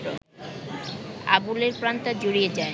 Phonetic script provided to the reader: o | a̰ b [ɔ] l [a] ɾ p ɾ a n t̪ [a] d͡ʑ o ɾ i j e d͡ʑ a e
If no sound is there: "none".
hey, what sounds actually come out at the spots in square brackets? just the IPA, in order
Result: u, e, a

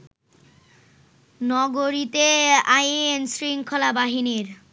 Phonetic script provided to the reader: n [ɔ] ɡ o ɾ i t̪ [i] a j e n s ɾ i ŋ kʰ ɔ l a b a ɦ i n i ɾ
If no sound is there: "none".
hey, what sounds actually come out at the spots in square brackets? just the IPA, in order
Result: ɔ, e

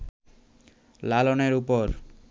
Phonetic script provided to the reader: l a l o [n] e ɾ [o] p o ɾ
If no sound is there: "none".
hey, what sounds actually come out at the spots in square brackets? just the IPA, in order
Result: n, u

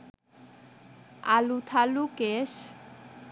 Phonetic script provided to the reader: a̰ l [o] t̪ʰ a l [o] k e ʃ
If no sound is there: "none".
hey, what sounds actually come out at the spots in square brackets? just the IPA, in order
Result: u, u

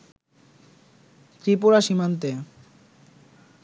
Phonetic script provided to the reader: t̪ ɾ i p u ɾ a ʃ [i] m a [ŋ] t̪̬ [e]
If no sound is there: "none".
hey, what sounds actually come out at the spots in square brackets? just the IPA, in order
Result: i, n, e

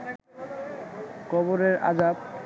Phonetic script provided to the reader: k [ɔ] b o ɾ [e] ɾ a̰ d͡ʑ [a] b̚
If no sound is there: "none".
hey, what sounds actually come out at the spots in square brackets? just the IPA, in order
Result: ɔ, e, a

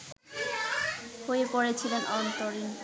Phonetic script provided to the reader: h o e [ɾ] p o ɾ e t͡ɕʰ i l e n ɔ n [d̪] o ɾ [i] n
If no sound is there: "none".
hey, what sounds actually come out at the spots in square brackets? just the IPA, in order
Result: none, t̪, i

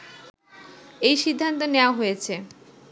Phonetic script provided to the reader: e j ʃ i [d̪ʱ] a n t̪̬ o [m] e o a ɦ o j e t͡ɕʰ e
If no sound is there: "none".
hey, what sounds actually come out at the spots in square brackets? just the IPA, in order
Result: d̪ʱː, n

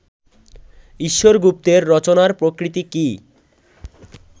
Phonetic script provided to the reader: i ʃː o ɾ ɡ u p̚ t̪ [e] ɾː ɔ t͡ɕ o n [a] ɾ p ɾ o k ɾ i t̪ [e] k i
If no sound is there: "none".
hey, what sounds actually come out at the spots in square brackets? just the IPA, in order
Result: e, a, i

